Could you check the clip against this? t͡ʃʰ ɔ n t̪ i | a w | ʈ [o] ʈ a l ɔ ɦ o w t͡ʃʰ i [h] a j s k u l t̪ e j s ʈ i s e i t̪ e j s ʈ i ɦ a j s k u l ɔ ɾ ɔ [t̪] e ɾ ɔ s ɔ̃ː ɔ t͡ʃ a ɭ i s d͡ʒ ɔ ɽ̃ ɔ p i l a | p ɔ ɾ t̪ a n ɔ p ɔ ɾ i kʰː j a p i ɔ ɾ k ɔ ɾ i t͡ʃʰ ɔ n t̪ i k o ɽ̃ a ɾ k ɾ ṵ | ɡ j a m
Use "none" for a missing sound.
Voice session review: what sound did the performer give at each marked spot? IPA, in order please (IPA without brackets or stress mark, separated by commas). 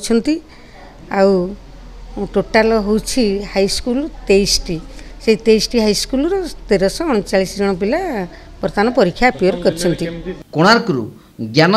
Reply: o, h, t̪